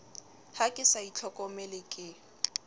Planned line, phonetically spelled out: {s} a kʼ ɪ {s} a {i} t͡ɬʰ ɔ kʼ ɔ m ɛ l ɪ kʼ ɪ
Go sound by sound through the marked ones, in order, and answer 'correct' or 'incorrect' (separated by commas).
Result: incorrect, correct, correct